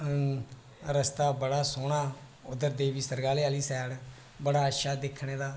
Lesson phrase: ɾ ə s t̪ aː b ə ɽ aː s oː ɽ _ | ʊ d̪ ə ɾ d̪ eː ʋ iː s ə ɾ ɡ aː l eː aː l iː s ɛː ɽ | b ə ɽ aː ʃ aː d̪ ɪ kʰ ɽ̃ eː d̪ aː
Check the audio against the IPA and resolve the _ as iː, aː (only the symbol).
aː